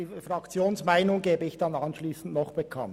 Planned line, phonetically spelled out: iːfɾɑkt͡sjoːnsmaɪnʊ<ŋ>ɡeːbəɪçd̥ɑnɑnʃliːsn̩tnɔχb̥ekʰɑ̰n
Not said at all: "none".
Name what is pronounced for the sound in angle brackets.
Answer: ŋ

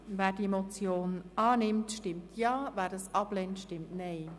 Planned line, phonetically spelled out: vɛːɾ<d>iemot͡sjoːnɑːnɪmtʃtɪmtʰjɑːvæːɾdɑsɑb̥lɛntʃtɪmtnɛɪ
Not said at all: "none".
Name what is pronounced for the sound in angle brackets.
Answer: d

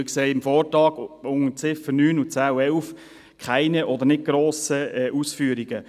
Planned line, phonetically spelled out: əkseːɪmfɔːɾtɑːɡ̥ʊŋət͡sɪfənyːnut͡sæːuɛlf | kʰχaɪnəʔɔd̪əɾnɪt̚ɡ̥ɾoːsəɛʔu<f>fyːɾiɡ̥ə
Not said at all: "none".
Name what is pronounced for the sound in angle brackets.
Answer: s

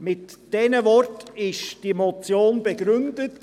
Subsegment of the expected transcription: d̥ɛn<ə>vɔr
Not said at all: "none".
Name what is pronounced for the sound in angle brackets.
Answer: ə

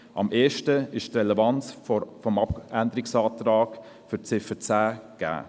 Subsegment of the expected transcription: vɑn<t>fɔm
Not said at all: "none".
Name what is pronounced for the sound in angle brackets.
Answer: t͡s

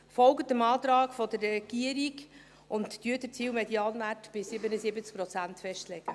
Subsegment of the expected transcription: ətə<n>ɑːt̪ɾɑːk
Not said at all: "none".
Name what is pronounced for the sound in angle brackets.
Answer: m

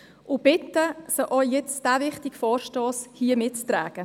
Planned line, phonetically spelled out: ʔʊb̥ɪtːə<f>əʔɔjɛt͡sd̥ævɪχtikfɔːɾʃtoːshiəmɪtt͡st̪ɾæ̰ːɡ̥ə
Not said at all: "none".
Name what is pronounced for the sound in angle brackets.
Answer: s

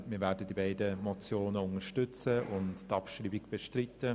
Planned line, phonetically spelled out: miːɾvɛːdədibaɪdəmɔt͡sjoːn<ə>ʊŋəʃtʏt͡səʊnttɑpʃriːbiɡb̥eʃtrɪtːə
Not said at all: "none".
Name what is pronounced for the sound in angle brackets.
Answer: ə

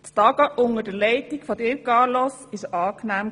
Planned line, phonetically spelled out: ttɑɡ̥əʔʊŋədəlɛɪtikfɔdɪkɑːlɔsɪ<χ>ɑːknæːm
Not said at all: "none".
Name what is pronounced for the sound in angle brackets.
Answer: ʃ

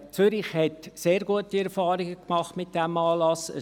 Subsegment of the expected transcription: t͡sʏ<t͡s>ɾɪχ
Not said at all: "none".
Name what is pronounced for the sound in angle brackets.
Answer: none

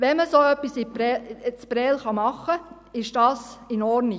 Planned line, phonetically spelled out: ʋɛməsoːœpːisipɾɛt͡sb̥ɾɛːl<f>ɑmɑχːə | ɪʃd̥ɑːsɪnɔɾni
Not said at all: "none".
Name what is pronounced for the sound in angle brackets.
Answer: χ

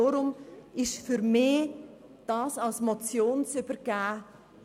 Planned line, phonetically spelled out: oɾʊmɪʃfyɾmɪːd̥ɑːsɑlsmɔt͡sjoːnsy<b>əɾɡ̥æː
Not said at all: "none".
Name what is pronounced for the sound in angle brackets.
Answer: b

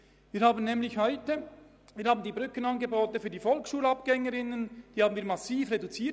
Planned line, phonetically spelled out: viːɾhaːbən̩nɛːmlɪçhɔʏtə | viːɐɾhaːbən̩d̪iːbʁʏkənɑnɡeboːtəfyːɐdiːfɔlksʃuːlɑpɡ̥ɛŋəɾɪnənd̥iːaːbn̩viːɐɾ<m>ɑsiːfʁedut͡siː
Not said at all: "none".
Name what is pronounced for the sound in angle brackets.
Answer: m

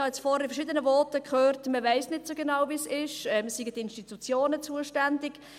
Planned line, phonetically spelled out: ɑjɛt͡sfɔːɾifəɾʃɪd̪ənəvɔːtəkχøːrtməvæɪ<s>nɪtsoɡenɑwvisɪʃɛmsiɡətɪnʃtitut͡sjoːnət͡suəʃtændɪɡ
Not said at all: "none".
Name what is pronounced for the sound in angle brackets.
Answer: s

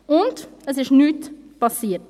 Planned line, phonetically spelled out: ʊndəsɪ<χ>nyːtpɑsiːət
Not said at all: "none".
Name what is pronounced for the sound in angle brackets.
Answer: ʃ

